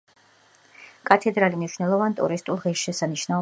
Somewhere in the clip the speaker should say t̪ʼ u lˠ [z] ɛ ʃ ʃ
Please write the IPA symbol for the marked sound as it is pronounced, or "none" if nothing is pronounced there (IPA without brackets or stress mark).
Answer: ʁ